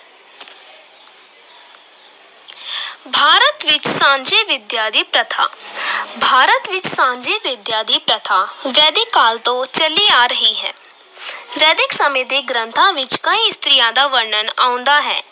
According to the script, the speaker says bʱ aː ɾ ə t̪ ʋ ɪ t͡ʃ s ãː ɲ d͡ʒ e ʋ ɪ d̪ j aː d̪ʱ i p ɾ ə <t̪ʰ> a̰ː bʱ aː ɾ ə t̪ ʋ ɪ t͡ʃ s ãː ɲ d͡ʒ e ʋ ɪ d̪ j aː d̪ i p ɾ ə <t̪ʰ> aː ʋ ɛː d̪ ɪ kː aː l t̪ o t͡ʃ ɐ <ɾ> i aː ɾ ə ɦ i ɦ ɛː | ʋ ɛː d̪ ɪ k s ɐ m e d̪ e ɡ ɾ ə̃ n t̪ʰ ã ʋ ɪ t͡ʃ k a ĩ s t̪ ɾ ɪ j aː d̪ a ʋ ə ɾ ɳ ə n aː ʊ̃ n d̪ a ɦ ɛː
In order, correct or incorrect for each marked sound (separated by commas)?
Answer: correct, correct, incorrect